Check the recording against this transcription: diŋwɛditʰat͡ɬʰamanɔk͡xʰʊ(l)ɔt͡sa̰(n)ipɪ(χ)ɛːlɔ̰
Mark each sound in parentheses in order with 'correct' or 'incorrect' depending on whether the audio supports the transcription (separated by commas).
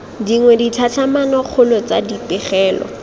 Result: correct, incorrect, correct